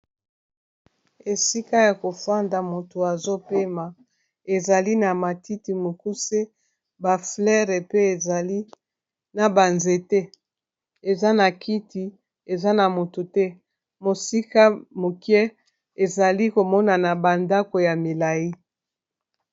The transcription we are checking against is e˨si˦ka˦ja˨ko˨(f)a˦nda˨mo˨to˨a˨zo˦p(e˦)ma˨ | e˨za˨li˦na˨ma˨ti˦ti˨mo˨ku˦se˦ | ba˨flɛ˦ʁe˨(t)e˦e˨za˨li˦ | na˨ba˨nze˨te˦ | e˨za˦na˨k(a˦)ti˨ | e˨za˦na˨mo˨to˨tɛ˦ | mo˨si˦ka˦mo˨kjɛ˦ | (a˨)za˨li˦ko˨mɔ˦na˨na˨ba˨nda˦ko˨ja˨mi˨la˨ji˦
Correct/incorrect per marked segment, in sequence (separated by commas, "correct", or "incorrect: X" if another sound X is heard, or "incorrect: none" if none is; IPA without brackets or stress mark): correct, correct, incorrect: p, incorrect: i˦, incorrect: e˨